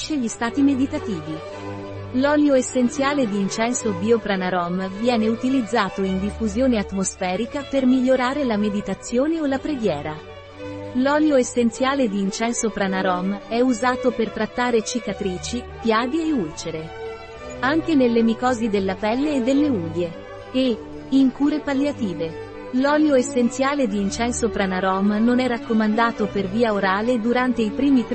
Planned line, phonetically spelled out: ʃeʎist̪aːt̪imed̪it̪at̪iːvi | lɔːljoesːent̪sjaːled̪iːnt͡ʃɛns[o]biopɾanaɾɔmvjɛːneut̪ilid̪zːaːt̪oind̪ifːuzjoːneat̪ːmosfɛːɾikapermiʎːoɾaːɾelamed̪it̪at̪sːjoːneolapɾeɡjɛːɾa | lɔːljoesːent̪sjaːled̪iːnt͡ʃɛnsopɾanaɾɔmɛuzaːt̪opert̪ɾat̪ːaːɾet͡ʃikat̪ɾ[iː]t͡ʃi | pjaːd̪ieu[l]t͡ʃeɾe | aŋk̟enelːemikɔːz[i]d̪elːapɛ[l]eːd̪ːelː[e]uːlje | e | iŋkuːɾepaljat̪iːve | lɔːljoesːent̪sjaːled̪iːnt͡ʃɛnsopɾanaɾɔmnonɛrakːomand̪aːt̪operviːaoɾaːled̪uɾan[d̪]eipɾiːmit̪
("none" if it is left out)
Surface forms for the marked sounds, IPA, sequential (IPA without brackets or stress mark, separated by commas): o, iː, l, i, lː, e, t̪